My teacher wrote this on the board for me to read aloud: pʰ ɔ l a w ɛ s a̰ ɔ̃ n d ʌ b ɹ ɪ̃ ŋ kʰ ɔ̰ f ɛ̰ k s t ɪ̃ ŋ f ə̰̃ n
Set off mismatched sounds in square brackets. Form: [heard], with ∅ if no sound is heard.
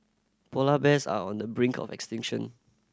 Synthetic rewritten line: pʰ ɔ l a [b] ɛ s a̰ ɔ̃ n d [ə] b ɹ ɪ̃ ŋ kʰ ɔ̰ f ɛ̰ k s t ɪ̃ ŋ [ʃ] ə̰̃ n